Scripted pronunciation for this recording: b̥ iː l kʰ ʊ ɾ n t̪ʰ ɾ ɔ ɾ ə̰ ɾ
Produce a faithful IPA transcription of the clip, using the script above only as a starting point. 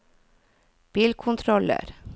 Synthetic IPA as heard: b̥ iː l kʰ ʊ n t̪ʰ ɾ ɔ l ə̰ ɾ